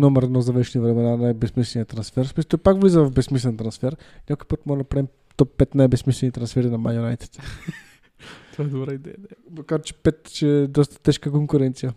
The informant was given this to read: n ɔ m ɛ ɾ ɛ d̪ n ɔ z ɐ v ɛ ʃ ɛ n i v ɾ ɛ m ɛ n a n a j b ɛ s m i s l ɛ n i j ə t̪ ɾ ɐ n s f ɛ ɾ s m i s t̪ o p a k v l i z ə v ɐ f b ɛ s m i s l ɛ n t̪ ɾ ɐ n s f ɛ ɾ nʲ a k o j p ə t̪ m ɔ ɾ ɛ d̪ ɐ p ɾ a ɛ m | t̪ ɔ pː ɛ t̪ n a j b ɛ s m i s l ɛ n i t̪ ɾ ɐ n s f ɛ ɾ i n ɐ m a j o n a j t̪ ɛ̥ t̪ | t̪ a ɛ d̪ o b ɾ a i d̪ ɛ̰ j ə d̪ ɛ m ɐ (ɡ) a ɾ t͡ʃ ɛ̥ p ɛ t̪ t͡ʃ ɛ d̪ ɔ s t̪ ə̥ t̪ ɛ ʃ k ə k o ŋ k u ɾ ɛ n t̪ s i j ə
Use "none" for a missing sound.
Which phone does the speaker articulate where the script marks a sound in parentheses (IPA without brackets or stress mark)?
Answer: k